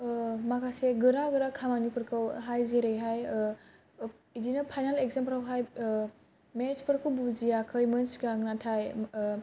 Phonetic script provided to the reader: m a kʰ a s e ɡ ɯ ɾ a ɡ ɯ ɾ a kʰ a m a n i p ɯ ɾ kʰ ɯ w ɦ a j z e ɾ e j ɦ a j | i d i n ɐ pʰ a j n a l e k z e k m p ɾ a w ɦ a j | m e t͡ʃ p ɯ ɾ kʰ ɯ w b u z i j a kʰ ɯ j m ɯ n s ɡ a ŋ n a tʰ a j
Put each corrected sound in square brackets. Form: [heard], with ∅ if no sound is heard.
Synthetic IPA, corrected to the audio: m a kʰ a s e ɡ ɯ ɾ a ɡ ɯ ɾ a kʰ a m a n i p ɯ ɾ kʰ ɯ w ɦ a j z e ɾ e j ɦ a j | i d i n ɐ pʰ a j n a l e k z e [∅] m p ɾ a w ɦ a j | m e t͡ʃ p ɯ ɾ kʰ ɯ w b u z i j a kʰ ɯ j m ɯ n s ɡ a ŋ n a tʰ a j